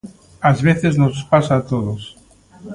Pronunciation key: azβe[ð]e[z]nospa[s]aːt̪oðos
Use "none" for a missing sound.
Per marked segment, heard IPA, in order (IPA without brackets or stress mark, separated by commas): θ, z, s